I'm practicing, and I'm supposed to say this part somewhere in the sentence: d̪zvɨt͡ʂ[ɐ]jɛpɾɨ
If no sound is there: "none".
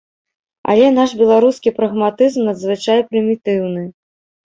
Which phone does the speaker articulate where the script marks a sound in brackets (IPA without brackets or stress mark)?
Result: a